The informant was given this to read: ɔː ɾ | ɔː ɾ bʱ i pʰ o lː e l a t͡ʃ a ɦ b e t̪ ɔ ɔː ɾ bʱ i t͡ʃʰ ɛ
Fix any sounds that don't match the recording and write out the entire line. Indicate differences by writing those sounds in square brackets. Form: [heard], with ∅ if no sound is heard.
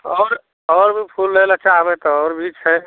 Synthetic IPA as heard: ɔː ɾ | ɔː ɾ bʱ i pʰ [u] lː e l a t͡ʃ a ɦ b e t̪ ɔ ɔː ɾ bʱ i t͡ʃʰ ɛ